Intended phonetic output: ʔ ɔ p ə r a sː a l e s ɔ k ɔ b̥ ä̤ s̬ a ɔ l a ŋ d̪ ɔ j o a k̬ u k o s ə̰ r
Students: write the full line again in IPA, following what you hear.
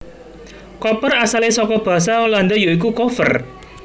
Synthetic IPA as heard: k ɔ p ə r a s a l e s ɔ k ɔ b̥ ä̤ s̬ a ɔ l a n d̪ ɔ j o i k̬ u k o f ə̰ r